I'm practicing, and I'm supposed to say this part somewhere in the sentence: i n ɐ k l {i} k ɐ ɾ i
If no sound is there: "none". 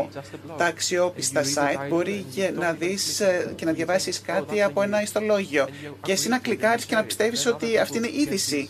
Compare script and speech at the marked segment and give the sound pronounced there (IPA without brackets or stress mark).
i